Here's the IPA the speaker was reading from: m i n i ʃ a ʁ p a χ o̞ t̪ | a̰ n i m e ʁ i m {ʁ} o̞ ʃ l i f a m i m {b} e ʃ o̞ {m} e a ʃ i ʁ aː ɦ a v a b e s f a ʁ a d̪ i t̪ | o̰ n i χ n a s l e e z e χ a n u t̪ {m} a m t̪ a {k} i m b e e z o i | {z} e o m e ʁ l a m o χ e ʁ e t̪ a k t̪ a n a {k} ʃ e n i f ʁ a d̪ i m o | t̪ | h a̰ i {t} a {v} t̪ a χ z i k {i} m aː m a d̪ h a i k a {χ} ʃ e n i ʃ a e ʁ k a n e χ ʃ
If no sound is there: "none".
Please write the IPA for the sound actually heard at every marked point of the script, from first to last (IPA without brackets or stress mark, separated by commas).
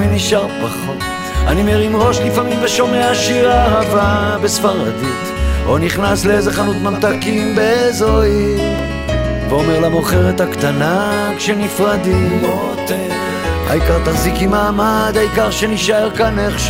ʁ, v, m, m, k, v, k, k, ʁ, i, ʁ